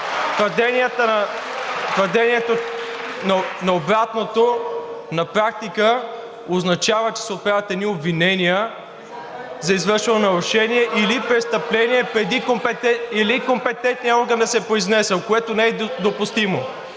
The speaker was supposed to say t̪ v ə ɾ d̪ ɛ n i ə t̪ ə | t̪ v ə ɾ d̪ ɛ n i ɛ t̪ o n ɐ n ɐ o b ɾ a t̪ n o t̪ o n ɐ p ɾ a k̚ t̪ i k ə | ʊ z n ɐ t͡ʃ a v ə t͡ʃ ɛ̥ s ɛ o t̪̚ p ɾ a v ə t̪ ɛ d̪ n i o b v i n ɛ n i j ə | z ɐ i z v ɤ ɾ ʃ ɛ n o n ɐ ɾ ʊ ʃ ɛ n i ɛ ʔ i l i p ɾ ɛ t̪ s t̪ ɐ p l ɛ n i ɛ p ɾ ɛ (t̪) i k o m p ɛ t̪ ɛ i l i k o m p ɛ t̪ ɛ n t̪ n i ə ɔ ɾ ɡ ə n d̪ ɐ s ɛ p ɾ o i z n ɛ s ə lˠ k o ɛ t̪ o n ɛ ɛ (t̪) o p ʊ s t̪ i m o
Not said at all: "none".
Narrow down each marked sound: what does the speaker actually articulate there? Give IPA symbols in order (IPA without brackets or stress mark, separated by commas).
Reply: d̪, d̪